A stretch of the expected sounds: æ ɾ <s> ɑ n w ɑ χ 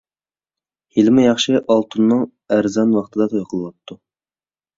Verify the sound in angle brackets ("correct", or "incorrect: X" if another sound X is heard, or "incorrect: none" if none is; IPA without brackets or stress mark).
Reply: incorrect: z